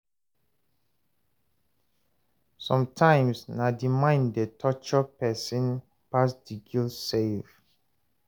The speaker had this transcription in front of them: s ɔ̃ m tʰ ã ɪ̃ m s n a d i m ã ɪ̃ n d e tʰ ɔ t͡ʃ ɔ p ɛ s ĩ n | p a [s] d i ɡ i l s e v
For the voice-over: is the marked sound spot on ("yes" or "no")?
yes